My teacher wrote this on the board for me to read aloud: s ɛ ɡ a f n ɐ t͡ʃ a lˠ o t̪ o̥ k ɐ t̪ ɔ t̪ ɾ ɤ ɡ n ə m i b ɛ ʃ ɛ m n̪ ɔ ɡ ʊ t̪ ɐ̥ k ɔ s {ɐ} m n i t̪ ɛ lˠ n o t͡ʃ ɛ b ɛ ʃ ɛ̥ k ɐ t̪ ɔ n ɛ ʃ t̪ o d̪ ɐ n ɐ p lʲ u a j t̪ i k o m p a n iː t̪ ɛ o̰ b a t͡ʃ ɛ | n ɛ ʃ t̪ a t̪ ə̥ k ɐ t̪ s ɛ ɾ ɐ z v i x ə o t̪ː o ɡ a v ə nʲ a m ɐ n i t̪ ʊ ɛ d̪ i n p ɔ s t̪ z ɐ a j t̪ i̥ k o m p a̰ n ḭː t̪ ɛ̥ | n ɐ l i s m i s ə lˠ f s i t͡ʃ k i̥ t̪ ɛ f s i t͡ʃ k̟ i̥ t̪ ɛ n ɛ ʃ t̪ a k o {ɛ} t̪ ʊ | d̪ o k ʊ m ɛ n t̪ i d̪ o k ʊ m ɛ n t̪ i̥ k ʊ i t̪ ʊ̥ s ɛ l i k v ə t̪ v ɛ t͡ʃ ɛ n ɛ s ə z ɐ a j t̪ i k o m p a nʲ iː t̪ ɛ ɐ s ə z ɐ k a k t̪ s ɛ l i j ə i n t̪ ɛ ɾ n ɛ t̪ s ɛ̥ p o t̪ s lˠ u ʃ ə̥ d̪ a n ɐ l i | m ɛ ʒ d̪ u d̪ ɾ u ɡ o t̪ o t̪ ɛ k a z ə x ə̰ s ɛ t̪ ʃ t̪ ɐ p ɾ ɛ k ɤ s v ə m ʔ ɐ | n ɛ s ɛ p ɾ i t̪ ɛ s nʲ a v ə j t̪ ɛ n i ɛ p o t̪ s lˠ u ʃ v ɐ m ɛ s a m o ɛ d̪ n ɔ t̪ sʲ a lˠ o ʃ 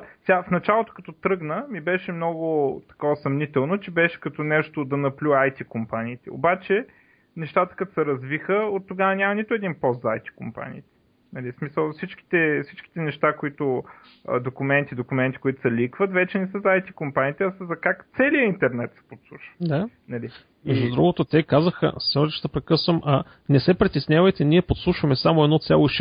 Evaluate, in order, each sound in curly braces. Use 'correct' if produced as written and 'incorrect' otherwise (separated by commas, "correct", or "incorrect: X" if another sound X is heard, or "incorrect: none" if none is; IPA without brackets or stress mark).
correct, incorrect: i